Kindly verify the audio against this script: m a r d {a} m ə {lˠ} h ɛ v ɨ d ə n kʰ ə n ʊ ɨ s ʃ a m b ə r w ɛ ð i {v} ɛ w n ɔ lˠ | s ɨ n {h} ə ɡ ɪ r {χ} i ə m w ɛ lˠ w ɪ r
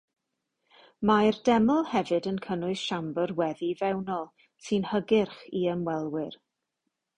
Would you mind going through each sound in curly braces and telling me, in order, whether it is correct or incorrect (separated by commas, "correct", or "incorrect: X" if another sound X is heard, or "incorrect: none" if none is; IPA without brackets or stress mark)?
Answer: incorrect: ɛ, correct, correct, correct, correct